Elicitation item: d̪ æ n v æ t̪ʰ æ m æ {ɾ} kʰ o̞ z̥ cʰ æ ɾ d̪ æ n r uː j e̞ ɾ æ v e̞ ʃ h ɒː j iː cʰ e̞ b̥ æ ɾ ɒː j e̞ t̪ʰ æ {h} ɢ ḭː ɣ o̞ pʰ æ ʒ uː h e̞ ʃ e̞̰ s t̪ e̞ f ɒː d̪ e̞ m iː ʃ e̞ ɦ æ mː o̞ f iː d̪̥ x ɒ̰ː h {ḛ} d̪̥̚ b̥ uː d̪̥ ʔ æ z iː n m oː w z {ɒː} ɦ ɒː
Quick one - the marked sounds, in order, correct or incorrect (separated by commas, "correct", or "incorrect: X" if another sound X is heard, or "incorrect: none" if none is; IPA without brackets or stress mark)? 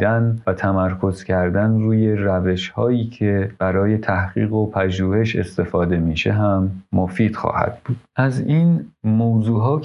correct, correct, incorrect: æ̰, incorrect: uː